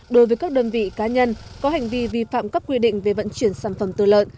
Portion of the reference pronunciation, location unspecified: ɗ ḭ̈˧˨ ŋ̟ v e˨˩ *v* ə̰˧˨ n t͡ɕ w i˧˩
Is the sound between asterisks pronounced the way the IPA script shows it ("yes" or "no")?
yes